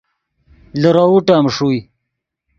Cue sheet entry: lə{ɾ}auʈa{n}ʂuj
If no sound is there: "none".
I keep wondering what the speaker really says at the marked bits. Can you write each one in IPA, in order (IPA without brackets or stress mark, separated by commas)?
ɾ, m